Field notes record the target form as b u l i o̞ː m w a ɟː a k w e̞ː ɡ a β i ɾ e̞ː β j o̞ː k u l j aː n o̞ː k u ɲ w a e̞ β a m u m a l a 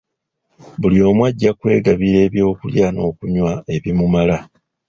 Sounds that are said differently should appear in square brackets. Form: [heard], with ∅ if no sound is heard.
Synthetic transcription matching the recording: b u l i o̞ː m w a ɟː a k w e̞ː ɡ a β i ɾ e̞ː β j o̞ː k u l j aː n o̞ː k u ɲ w a e̞ β [i] m u m a l a